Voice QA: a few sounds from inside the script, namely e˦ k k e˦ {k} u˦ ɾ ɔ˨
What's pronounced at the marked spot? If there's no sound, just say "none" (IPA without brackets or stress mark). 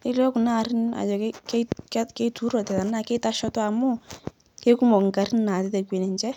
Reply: t